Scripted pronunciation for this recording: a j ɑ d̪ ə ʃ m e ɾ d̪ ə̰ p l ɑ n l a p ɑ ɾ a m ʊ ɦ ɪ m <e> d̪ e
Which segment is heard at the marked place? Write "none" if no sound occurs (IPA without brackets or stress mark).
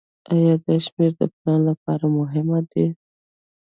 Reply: a